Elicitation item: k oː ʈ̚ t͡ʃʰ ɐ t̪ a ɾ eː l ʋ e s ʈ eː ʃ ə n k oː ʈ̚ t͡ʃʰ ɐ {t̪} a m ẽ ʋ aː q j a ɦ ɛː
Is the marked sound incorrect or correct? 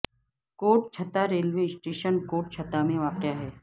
correct